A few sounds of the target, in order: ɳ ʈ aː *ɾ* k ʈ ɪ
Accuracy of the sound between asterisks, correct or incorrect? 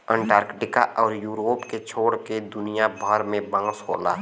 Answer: correct